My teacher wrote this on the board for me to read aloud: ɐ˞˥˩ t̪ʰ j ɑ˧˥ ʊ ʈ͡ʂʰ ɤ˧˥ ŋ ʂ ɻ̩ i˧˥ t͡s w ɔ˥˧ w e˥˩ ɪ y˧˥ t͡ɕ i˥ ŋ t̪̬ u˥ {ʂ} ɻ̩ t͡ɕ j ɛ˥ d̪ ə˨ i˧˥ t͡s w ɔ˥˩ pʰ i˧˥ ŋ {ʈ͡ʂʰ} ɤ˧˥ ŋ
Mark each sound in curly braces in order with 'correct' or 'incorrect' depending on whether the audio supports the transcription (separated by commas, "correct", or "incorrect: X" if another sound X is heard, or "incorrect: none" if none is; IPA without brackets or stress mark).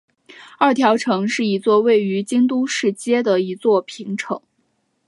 correct, correct